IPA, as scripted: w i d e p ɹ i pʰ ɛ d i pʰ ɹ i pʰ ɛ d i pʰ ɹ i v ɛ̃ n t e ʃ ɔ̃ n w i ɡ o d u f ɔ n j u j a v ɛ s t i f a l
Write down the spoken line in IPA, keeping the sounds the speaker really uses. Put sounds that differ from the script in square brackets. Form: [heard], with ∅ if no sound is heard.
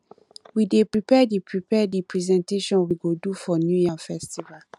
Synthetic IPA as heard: w i d e p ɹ i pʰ ɛ d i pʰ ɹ i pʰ ɛ d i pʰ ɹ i [z] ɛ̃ n t e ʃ ɔ̃ n w i ɡ o d u f ɔ n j u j a [f] ɛ s t i [v] a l